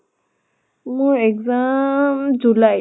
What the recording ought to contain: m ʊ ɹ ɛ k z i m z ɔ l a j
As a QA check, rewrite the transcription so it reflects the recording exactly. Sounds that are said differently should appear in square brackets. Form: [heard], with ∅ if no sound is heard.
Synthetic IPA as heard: m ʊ ɹ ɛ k z [a] m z [u] l a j